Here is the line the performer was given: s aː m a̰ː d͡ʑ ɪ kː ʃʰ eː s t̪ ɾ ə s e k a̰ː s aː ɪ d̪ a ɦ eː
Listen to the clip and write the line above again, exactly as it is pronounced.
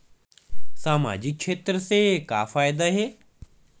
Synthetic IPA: s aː m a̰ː d͡ʑ ɪ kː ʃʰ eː t̪ ɾ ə s e k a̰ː f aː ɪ d̪ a ɦ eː